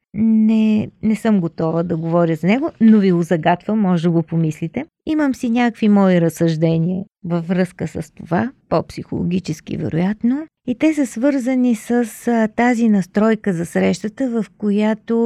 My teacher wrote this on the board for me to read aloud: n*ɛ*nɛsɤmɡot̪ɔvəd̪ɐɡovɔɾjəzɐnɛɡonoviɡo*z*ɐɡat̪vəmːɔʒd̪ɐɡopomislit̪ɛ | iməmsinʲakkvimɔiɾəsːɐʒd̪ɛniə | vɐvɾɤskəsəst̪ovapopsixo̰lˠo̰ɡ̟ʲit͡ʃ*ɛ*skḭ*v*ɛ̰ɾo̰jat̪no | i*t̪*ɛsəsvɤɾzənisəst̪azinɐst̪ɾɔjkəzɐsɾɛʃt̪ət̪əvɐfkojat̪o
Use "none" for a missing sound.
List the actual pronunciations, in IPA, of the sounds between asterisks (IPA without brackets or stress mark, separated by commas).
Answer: ɛ, z, ɛ, v, t̪